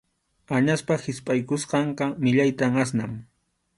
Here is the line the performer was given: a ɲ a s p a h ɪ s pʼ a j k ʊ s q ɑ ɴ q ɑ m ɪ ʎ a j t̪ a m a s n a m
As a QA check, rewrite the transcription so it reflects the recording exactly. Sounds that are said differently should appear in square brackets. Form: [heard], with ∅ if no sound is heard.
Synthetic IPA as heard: a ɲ a s p a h ɪ s pʼ a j k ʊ s q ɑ ɴ q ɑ m ɪ ʎ a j t̪ a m a s n a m